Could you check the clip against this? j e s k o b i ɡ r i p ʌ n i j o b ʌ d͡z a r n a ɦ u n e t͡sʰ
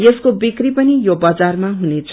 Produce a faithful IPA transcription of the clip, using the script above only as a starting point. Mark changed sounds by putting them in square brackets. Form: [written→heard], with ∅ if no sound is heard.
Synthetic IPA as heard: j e s k o b i [ɡ→k] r i p ʌ n i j o b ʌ d͡z a r [n→m] a ɦ u n e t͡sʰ